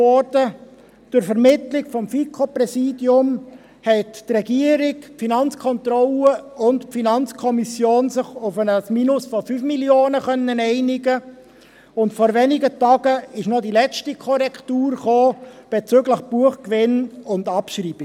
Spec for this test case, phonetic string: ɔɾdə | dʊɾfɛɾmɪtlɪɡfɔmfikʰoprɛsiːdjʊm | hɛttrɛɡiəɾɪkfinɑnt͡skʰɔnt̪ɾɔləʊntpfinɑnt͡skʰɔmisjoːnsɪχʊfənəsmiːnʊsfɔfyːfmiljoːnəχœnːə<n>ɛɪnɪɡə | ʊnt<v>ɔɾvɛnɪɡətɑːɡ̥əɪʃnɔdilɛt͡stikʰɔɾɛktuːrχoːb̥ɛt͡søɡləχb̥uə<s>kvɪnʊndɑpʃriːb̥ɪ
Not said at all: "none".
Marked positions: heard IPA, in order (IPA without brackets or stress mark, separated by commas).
n, f, χ